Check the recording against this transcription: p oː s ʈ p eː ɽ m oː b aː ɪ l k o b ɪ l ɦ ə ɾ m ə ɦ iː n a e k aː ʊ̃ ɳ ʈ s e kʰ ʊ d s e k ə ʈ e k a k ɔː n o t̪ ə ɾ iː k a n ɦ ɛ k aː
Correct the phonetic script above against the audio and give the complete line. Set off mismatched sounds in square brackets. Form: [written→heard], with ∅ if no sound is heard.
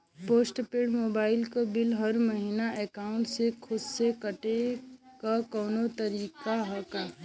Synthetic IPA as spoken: p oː s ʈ p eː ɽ m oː b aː ɪ l k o b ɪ l ɦ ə ɾ m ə ɦ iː n a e k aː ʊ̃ ɳ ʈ s e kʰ ʊ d s e k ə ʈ e k a k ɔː n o t̪ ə ɾ iː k a [n→∅] ɦ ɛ k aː